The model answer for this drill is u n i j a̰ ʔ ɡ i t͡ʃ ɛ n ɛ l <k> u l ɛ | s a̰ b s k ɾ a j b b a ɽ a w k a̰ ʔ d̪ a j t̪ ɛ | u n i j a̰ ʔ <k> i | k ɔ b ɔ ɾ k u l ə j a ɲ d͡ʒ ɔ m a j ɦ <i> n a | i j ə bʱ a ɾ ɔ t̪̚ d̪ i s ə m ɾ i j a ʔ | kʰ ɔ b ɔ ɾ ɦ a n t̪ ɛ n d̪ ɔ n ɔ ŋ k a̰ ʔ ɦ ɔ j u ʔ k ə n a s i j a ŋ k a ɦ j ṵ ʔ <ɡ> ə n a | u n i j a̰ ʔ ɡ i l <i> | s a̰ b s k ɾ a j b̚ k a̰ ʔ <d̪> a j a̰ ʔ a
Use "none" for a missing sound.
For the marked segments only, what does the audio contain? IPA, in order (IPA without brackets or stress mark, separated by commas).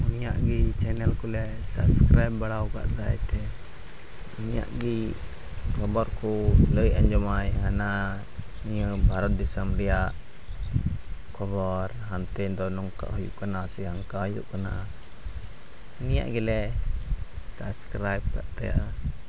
k, ɡ, a, k, ɛ, t̪